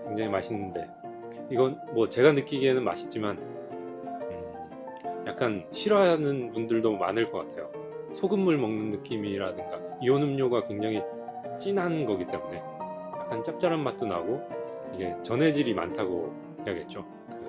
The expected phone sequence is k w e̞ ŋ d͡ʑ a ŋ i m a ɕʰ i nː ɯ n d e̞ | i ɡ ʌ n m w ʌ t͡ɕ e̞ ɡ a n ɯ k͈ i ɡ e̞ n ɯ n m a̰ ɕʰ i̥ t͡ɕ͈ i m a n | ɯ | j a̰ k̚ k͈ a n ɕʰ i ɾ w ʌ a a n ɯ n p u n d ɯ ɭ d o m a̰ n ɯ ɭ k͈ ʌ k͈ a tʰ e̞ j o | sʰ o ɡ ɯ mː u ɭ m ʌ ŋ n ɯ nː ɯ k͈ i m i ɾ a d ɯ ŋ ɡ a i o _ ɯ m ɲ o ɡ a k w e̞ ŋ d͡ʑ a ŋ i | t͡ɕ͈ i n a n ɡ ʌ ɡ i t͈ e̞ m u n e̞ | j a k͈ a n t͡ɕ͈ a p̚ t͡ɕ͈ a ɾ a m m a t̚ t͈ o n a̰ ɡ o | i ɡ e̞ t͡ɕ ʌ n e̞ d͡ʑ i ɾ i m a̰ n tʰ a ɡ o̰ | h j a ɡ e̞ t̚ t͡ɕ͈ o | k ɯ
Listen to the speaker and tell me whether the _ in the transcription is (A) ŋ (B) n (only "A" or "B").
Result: B